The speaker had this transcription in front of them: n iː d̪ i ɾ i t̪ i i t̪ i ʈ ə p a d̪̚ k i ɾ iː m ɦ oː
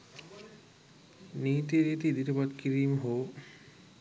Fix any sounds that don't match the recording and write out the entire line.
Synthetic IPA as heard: n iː t̪ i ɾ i t̪ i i d̪ i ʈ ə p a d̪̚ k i ɾ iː m ɦ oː